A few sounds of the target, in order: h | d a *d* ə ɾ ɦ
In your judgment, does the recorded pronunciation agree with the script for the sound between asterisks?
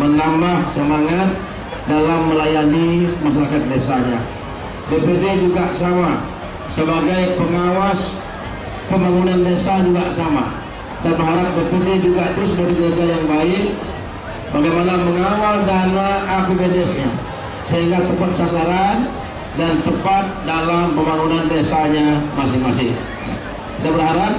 no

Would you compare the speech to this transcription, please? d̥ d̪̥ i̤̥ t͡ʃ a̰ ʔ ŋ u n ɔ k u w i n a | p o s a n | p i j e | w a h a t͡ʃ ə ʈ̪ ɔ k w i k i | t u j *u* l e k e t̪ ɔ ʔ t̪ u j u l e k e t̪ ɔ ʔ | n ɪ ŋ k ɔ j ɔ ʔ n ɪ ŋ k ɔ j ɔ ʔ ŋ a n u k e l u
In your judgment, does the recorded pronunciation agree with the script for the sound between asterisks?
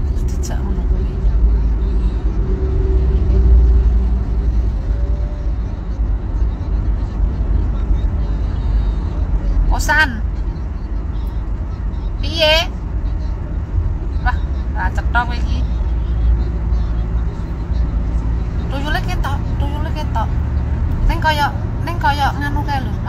yes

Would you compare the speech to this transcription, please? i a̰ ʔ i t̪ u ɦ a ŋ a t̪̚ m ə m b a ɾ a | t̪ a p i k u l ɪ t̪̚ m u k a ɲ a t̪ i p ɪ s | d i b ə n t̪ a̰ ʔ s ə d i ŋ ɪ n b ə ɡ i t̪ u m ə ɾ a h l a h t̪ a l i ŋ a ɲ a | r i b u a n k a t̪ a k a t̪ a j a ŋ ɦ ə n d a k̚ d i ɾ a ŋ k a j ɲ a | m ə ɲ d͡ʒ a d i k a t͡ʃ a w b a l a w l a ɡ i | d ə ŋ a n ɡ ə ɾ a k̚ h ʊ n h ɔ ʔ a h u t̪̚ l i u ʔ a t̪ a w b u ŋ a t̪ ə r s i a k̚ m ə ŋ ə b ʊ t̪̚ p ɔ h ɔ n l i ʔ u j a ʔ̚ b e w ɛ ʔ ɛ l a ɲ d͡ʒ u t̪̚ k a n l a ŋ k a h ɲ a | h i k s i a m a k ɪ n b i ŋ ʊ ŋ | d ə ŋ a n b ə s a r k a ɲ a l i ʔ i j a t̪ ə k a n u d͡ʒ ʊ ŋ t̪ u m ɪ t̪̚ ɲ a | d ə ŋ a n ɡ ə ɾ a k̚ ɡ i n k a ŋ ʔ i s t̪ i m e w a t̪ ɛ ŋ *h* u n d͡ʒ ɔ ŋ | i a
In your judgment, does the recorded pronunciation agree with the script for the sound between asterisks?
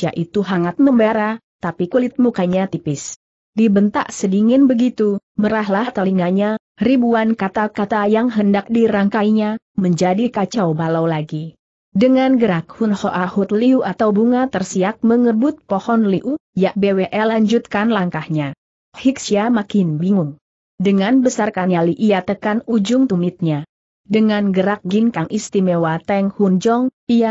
yes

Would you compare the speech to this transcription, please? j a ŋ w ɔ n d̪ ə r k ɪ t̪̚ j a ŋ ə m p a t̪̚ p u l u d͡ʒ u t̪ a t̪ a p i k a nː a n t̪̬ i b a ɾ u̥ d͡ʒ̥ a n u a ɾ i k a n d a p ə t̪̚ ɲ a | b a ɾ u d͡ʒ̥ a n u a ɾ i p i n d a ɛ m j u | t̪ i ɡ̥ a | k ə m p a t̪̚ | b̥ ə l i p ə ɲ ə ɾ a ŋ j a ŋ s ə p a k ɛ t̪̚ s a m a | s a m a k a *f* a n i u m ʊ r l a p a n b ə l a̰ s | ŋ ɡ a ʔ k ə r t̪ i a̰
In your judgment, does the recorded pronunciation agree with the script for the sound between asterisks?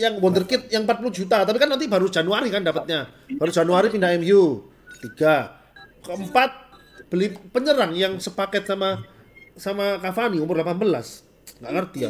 yes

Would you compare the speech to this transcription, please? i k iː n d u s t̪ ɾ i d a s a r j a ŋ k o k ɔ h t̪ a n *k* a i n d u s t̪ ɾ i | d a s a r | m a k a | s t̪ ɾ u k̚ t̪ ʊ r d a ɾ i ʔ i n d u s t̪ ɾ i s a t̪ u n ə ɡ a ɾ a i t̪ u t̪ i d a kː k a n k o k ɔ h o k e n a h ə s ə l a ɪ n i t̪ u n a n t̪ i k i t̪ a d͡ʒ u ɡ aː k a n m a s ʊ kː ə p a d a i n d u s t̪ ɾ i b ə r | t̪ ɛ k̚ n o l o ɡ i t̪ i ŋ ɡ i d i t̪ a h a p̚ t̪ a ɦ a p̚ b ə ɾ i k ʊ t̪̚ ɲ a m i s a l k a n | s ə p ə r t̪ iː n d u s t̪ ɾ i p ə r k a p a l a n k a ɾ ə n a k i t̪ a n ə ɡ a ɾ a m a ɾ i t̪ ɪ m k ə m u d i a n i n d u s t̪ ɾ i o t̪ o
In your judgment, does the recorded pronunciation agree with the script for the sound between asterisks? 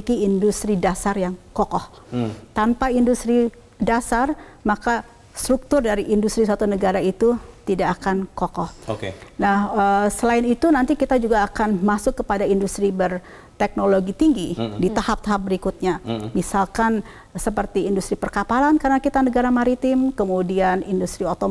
no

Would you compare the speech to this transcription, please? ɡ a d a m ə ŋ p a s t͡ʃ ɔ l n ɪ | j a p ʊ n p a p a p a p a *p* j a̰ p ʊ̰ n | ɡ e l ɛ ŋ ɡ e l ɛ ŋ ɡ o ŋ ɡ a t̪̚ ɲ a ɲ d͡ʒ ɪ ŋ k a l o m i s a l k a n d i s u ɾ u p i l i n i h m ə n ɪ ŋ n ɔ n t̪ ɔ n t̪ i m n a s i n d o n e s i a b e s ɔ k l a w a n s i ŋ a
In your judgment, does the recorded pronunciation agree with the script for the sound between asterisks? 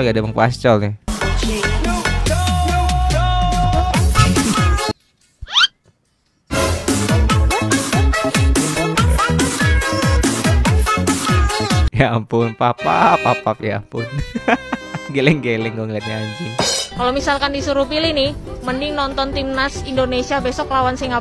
yes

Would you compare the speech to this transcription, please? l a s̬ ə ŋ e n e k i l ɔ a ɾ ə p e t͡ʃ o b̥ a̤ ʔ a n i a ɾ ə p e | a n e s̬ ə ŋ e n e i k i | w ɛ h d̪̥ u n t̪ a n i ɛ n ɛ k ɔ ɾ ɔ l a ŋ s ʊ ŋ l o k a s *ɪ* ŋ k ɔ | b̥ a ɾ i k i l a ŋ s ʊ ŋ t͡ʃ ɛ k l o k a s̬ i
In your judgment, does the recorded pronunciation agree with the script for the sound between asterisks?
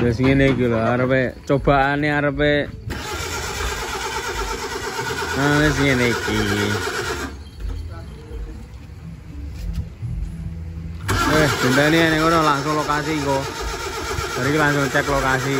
no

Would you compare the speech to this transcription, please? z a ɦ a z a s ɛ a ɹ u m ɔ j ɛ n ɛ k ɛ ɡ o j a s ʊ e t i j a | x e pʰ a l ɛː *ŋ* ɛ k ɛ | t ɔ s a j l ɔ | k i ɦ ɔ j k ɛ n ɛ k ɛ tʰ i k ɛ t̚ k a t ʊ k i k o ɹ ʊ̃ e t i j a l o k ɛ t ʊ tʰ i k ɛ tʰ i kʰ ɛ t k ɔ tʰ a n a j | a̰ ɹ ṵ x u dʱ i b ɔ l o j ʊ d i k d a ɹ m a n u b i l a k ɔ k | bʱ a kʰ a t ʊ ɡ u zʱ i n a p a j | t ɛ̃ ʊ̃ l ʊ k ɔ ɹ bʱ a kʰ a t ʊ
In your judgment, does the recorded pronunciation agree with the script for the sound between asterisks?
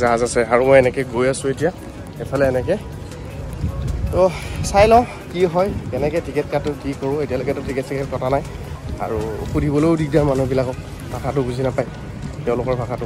no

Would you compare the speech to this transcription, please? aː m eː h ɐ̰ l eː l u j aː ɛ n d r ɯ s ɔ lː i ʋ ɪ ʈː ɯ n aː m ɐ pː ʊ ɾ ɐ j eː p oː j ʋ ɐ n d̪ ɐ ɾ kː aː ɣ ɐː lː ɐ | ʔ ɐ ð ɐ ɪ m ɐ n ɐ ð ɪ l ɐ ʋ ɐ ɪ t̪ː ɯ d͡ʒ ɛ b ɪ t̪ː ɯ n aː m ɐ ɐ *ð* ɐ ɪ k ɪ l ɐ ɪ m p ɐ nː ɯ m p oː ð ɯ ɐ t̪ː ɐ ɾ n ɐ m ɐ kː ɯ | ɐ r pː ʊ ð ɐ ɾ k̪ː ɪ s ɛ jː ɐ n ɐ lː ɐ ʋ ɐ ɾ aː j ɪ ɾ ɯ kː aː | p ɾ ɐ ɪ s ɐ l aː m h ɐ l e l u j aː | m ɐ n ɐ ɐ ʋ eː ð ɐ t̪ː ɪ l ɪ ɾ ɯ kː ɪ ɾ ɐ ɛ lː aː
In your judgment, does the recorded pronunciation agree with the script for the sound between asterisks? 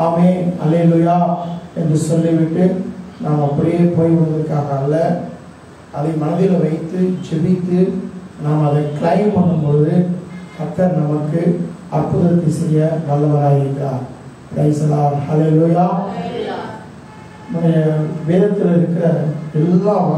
yes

